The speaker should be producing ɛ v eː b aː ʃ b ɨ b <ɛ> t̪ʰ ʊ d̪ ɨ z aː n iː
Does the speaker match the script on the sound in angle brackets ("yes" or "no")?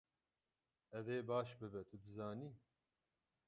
yes